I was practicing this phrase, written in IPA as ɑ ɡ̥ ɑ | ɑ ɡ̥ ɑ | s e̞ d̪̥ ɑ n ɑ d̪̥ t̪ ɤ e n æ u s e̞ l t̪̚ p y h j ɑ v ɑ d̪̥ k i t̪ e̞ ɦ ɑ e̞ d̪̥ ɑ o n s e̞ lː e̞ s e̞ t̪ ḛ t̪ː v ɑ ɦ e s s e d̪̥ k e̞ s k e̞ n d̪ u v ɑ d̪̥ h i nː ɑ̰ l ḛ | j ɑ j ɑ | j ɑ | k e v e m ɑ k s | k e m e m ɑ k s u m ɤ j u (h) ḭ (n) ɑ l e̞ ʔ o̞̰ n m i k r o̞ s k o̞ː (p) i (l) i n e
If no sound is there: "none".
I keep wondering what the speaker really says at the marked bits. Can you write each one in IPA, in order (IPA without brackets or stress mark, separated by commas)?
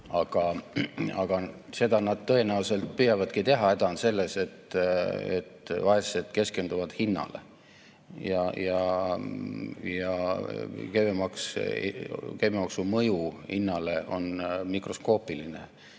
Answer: h, nː, p, l